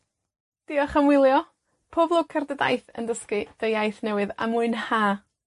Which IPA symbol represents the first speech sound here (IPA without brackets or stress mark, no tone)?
d̥